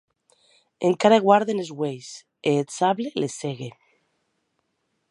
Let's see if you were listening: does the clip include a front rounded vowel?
no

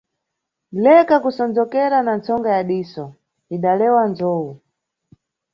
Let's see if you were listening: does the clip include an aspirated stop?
no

